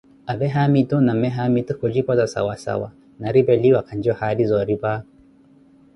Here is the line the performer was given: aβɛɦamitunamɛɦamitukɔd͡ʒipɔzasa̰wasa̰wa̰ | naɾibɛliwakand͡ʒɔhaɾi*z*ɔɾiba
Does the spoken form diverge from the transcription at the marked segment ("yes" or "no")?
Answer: no